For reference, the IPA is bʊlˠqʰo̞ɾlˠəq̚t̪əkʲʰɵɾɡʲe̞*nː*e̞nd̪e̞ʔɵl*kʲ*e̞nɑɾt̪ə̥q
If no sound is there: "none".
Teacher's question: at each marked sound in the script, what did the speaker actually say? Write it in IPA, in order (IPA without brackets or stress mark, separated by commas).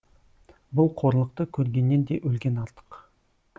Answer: nː, ɡʲ